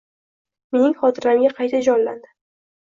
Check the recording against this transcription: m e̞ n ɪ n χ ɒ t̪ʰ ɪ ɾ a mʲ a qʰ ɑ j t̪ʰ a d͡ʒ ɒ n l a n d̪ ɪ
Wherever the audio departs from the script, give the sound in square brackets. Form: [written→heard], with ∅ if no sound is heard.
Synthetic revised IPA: m e̞ n ɪ [n→ŋ] χ ɒ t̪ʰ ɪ ɾ a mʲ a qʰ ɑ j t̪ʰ a d͡ʒ ɒ n l a n d̪ ɪ